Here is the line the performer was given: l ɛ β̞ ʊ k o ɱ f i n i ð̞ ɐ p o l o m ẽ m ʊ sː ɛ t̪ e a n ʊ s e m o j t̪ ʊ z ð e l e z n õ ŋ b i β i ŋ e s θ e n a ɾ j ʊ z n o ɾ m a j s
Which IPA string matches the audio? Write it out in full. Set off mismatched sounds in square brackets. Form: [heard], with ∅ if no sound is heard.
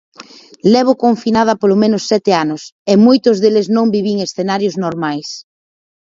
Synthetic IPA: l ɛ β̞ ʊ k o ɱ f i n [a] ð̞ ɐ p o l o m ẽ [n] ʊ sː ɛ t̪ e a n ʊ s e m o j t̪ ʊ z ð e l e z n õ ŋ b i β i ŋ e s θ e n a ɾ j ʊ z n o ɾ m a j s